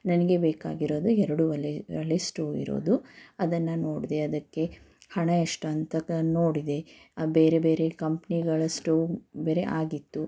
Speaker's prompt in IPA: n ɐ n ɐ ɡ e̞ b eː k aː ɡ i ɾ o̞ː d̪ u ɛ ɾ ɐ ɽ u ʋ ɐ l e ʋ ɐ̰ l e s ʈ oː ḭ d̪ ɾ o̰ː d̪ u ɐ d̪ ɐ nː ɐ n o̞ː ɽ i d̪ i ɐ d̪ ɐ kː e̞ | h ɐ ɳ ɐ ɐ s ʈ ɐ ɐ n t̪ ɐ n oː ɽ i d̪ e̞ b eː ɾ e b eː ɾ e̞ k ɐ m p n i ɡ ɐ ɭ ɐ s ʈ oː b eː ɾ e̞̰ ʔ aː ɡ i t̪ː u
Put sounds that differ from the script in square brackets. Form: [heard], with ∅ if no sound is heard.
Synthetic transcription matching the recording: n ɐ n ɐ ɡ e̞ b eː k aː ɡ i ɾ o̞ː d̪ u ɛ ɾ ɐ ɽ u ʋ ɐ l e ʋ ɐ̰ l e s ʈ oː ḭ [∅] ɾ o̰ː d̪ u ɐ d̪ ɐ nː ɐ n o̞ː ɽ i d̪ [e] ɐ d̪ ɐ kː e̞ | h ɐ ɳ ɐ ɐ [ʂ] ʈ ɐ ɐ n t̪ ɐ n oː ɽ i d̪ e̞ b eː ɾ e b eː ɾ e̞ k ɐ m p n i ɡ ɐ ɭ ɐ s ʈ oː b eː ɾ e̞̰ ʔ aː ɡ i t̪ː u